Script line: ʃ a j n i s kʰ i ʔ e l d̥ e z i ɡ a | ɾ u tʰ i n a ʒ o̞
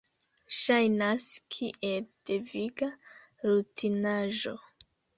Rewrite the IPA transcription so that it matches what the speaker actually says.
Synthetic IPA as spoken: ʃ a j n a s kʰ i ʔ e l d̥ e v i ɡ a | ɾ u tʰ i n a ʒ o̞